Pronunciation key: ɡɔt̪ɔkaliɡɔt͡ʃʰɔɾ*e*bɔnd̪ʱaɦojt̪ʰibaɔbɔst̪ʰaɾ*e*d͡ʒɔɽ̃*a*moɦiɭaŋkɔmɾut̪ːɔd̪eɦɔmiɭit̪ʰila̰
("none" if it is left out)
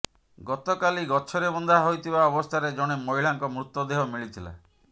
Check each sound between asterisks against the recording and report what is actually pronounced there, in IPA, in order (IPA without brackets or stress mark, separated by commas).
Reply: e, e, e